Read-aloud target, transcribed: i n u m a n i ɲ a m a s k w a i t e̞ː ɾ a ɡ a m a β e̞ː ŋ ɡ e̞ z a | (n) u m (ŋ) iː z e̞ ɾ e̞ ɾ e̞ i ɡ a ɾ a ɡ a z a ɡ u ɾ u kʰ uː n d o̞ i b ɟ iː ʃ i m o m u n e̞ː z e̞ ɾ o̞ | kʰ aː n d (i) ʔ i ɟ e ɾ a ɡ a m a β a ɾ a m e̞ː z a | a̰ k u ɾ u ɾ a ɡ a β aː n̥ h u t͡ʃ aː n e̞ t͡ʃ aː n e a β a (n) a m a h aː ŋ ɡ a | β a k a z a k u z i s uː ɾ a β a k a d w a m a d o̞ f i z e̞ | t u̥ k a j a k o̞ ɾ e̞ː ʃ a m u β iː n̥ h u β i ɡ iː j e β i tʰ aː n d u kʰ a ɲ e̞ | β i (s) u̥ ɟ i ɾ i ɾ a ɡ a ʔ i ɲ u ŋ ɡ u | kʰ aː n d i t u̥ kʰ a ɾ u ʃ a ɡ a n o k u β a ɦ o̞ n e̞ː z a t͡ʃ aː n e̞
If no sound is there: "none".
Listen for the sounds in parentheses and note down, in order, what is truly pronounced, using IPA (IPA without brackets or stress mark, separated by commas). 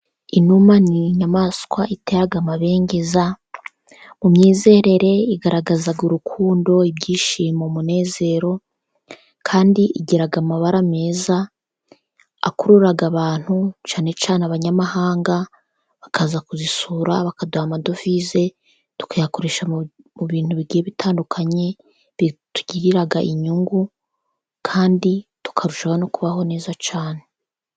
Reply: m, ɲ, i, ɲ, t